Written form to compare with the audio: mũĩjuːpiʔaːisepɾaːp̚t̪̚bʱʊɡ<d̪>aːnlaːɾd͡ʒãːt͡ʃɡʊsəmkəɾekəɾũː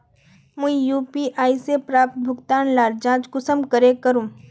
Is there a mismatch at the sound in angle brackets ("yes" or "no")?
yes